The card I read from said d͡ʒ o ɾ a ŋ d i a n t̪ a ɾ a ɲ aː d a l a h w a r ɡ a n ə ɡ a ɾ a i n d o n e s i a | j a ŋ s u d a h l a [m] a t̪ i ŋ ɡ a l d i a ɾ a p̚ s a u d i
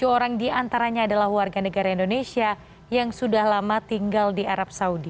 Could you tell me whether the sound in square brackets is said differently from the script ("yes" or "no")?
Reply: no